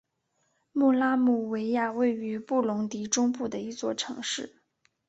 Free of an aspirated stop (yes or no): no